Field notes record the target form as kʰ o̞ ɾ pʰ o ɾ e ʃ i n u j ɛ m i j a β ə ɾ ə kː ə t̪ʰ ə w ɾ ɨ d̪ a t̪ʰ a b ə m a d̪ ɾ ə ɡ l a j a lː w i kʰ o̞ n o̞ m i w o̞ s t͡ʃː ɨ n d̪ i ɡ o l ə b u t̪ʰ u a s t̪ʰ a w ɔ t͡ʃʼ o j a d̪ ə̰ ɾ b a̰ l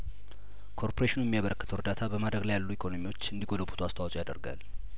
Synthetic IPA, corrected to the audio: kʰ o̞ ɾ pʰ o ɾ e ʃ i n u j ɛ m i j a β ə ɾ ə kː ə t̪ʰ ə w ɾ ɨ d̪ a t̪ʰ a b ə m a d̪ ɾ ə ɡ l a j a lː u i kʰ o̞ n o̞ m i w o̞ t͡ʃː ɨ n d̪ i ɡ o l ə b u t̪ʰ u a s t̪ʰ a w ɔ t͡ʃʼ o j a d̪ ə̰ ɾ ɡ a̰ l